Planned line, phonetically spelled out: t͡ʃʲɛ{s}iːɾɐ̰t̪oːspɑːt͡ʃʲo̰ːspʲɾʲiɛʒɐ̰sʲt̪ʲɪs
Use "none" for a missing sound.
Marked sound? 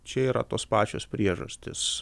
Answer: none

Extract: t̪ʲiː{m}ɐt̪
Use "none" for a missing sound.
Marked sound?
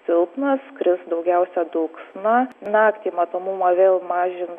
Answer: m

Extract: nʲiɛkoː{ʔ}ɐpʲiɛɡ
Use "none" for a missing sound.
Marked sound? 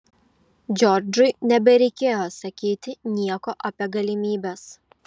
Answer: ʔ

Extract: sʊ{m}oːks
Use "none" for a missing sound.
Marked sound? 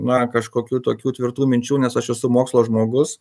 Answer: m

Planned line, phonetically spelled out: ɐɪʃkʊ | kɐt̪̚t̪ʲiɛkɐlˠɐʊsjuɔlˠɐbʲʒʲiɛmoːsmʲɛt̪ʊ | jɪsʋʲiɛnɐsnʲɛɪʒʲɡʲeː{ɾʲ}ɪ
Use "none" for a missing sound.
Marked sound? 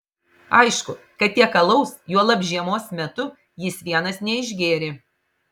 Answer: ɾʲ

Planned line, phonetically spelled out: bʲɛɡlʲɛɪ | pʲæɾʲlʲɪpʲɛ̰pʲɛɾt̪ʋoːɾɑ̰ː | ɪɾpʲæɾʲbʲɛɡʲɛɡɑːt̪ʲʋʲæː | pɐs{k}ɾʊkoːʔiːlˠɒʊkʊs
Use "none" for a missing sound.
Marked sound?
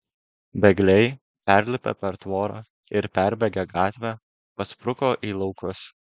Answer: p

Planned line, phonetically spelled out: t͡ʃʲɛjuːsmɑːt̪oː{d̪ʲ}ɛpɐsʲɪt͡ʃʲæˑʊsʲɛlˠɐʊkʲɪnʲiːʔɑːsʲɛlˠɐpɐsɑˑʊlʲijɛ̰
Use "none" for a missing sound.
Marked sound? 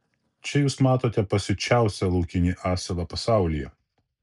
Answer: t̪ʲ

